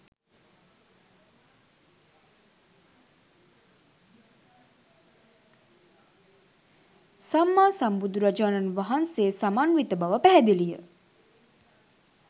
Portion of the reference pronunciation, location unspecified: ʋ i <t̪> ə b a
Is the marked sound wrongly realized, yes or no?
no